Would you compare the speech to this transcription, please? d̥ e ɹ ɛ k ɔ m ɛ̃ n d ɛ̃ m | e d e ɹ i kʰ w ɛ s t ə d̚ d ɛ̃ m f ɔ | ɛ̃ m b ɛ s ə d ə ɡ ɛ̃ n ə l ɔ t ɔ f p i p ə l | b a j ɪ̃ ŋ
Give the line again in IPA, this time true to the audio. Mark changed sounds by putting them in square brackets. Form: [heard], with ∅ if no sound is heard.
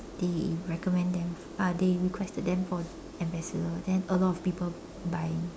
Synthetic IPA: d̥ e ɹ ɛ k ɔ m ɛ̃ n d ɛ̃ m | [a] d e ɹ i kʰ w ɛ s t ə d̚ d ɛ̃ m f ɔ | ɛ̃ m b ɛ s ə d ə [d] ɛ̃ n ə l ɔ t ɔ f p i p ə l | b a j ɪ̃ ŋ

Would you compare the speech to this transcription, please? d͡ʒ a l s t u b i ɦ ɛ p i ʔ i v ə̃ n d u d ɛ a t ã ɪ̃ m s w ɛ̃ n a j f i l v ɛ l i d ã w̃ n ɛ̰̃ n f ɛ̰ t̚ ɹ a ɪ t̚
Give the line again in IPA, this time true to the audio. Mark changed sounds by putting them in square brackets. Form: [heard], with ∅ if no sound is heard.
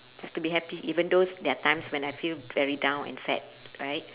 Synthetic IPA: d͡ʒ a [∅] s t u b i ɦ ɛ p i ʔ i v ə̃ n d [o] d ɛ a t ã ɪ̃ m s w ɛ̃ n a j f i l v ɛ [ɹ] i d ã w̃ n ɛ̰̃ n f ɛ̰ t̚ ɹ a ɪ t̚

